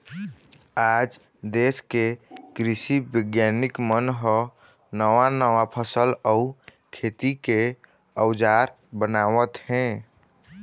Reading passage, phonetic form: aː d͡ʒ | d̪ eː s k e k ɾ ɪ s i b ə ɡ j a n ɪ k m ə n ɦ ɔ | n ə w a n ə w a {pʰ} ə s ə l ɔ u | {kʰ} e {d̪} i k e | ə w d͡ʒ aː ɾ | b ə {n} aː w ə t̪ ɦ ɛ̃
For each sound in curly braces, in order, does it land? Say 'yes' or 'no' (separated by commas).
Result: yes, yes, no, yes